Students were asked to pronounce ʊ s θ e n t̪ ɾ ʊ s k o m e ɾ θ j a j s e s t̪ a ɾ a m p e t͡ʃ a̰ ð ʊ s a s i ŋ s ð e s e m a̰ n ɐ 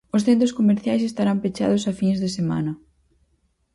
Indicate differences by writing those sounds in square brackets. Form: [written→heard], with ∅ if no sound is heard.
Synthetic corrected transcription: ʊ s θ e n t̪ ɾ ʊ s k o m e ɾ θ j a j s e s t̪ a ɾ a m p e t͡ʃ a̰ ð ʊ s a [s→f] i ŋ [s→z] ð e s e m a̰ n ɐ